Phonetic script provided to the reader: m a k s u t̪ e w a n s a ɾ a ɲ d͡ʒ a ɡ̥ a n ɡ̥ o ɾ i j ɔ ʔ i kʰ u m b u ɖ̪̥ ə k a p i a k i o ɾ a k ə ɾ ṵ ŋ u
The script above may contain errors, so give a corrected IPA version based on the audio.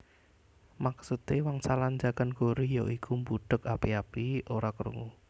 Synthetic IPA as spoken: m a k s u t̪ e w a ŋ s a l a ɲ d͡ʒ a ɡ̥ a n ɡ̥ o ɾ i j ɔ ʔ i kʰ u m b u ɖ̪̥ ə k a p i a p i o ɾ a k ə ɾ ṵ ŋ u